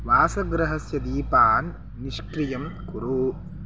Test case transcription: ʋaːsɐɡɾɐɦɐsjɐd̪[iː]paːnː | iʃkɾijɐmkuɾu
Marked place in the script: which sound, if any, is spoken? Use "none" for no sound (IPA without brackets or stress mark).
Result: iː